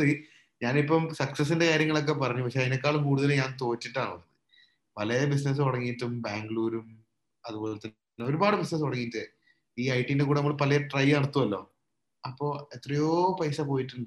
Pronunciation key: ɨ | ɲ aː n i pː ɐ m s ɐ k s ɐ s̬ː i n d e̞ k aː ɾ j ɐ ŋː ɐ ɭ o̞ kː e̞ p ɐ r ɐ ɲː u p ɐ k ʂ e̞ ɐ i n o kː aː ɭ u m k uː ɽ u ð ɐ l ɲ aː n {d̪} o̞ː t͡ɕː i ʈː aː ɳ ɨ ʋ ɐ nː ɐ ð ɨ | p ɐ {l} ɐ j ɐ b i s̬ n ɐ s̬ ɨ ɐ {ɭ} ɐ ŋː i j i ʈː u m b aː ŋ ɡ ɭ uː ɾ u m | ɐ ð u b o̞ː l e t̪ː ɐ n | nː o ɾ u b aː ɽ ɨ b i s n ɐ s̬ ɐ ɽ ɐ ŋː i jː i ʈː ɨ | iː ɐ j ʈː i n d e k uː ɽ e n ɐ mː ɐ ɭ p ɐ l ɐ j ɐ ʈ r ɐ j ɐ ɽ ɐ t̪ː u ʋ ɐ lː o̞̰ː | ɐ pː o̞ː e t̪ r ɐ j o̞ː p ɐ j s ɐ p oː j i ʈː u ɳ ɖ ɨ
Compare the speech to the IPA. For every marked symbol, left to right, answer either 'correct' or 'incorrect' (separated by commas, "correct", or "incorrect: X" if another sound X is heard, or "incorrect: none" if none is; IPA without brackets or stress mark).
incorrect: t̪, correct, incorrect: ɽ